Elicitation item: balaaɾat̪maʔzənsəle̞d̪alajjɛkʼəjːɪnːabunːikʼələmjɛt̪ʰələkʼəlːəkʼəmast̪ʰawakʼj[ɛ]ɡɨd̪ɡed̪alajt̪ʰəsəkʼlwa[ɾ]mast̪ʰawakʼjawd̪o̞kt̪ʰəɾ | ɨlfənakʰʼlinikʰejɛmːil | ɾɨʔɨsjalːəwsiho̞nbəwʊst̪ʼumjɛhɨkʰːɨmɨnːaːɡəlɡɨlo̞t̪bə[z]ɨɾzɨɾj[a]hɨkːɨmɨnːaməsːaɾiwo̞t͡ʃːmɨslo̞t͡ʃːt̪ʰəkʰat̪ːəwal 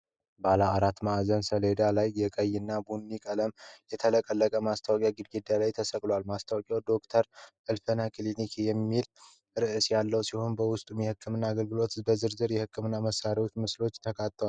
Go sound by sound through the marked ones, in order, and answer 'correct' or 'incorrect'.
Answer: incorrect, incorrect, correct, incorrect

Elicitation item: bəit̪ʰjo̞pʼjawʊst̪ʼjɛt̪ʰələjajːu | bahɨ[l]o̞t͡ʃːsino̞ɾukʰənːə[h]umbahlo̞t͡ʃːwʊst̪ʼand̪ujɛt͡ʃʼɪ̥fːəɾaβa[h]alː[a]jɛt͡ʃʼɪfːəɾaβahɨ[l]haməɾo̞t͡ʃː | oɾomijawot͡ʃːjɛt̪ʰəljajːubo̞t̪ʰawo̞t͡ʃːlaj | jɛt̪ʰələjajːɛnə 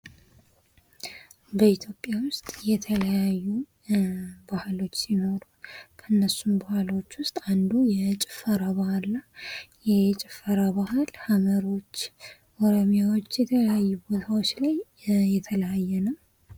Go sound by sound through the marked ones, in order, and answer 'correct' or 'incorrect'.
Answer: correct, incorrect, correct, correct, correct

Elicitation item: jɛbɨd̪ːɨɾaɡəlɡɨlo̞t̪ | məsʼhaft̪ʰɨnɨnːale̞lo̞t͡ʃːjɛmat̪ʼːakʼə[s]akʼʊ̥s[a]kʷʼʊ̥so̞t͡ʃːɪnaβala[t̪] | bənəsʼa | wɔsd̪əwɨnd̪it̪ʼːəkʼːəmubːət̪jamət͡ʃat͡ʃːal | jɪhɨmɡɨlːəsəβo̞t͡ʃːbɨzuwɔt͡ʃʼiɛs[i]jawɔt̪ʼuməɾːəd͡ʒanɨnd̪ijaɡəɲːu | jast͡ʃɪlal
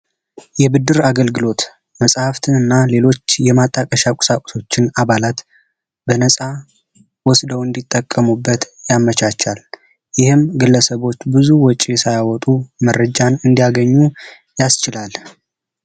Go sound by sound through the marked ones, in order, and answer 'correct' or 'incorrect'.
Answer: incorrect, correct, correct, incorrect

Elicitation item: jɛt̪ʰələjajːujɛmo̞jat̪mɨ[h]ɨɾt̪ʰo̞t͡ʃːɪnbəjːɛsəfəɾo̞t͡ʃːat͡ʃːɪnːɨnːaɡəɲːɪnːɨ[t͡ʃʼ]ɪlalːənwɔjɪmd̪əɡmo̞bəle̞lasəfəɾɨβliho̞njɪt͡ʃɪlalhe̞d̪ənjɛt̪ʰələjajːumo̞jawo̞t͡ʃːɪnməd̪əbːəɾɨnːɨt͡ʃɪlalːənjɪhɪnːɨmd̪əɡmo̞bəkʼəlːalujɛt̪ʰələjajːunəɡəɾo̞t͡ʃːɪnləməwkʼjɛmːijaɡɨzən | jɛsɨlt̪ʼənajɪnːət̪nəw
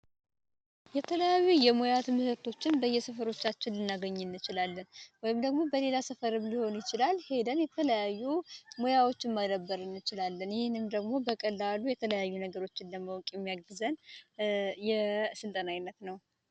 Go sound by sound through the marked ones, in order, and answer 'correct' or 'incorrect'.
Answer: correct, incorrect

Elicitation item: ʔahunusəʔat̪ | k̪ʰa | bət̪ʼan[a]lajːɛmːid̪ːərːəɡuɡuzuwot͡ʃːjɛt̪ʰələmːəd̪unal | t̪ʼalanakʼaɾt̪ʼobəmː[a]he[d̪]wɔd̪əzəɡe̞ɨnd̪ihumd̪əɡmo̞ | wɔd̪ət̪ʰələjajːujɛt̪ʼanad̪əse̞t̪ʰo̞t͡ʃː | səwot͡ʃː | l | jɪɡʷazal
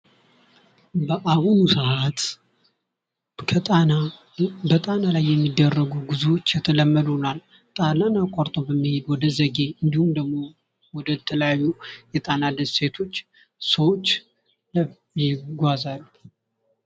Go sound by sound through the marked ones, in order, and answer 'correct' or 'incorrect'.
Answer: correct, incorrect, correct

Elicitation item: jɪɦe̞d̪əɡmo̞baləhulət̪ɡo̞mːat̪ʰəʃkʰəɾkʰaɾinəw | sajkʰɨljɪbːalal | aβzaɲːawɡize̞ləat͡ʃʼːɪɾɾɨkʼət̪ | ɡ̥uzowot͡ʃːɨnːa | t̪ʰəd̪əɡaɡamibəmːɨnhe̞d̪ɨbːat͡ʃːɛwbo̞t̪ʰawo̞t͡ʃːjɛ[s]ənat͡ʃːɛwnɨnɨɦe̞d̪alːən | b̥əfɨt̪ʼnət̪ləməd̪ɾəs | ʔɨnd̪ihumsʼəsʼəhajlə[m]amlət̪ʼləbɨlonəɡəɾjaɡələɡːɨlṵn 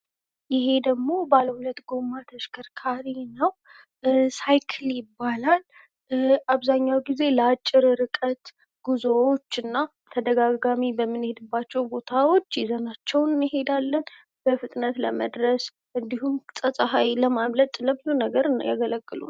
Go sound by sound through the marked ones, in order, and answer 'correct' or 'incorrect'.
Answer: incorrect, correct

